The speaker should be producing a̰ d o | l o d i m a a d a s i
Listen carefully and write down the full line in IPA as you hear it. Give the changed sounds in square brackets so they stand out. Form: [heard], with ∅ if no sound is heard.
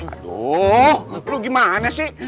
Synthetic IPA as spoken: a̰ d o | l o [ɡ] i m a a [n] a s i